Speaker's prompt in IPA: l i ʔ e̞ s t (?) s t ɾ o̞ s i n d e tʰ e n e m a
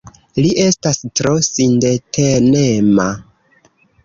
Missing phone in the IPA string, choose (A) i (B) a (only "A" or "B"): B